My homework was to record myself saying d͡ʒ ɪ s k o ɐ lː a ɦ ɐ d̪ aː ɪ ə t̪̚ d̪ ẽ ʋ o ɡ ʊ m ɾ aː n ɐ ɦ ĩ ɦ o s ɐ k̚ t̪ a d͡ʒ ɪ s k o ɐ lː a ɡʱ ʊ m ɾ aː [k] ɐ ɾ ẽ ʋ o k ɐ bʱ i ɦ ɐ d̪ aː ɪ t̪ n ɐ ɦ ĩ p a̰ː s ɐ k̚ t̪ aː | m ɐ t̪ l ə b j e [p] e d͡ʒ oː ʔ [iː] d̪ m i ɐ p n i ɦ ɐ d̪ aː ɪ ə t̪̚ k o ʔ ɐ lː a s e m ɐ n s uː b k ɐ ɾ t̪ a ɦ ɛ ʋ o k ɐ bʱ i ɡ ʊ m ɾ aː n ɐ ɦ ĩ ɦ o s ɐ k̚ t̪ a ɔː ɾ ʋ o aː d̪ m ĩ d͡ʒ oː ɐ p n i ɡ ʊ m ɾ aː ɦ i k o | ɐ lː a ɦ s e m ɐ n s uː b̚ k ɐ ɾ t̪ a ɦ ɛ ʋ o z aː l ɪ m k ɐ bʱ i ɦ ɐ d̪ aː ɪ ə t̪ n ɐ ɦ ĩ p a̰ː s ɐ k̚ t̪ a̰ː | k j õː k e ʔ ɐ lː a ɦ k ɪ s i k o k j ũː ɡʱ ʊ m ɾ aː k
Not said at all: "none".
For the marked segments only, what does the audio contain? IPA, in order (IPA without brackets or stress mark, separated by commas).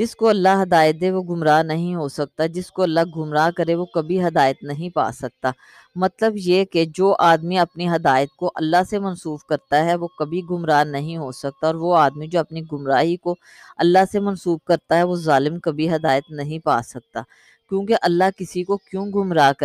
k, k, aː